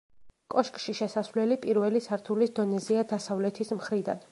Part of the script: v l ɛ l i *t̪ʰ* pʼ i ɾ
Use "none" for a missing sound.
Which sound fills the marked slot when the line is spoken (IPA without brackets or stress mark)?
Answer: none